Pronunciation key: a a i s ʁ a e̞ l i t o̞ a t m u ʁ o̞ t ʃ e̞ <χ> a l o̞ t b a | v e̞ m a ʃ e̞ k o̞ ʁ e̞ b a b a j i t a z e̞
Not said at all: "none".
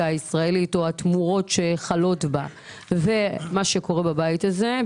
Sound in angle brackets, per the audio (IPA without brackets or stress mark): χ